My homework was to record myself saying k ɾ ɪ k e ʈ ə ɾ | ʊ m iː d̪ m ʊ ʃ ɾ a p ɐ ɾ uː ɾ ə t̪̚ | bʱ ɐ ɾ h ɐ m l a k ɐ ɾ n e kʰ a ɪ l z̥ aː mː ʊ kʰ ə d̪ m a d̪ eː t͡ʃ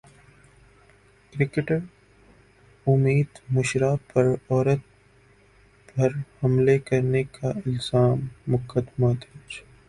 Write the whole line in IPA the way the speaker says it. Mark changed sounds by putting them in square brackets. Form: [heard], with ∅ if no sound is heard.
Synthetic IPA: k ɾ ɪ k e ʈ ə ɾ | ʊ m iː d̪ m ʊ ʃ ɾ a p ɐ ɾ [ɔː] ɾ ə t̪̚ | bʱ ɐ ɾ h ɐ m l [e] k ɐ ɾ n e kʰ a ɪ l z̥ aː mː ʊ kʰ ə d̪ m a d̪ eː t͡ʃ